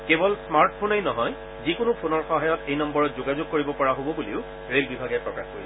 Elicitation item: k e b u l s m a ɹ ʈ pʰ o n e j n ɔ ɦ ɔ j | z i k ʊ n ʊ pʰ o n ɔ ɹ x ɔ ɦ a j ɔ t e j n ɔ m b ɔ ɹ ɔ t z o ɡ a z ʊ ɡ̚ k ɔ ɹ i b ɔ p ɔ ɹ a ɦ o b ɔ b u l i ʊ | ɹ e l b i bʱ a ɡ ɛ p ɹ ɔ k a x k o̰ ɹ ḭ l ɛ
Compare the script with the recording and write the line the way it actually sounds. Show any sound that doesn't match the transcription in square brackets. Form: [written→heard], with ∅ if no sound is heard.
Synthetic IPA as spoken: k e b [u→ɔ] l s m a ɹ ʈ pʰ o n e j n ɔ ɦ ɔ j | z i k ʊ n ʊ pʰ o n ɔ ɹ x ɔ ɦ a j ɔ t e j n ɔ m b ɔ ɹ ɔ t z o ɡ a z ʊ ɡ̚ k [ɔ→o] ɹ i b ɔ p ɔ ɹ a ɦ o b ɔ b u l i ʊ | ɹ e l b i bʱ a ɡ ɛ p ɹ ɔ k a x k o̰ ɹ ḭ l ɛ